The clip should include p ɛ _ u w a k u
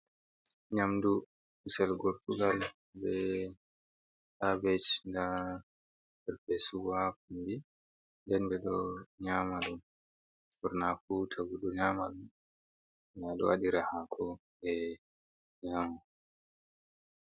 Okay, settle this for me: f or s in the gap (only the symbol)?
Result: s